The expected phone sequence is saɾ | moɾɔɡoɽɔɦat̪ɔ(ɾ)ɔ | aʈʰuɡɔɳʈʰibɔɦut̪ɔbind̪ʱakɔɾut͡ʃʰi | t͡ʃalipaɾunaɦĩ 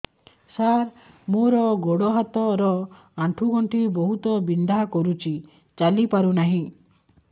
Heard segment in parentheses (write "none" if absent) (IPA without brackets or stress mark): ɾ